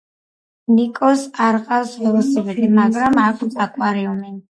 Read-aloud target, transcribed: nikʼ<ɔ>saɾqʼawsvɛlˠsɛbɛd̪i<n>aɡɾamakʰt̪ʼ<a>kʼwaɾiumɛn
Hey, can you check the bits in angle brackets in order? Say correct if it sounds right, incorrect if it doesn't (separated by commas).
correct, incorrect, correct